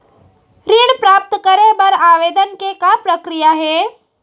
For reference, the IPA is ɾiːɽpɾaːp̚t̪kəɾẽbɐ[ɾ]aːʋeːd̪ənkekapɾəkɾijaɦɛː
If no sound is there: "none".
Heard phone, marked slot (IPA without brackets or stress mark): ɾ